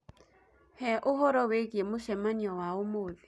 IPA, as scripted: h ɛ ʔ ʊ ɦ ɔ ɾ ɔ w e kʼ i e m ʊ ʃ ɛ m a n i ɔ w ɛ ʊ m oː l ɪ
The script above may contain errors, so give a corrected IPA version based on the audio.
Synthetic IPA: h ɛ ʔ ʊ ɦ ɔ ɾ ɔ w e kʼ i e m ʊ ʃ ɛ m a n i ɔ w a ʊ m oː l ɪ